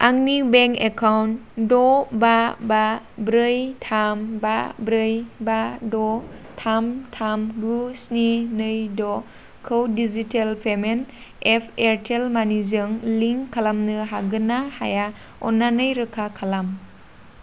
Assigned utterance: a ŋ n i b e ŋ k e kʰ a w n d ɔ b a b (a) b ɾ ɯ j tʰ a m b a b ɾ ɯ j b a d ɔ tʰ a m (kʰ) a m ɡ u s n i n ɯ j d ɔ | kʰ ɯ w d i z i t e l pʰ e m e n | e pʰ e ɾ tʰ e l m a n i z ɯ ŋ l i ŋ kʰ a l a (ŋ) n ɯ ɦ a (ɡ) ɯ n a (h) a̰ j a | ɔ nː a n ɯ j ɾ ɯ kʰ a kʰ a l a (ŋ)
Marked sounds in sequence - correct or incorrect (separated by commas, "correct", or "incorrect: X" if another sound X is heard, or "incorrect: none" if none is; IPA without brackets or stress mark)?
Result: correct, incorrect: tʰ, incorrect: m, correct, correct, incorrect: m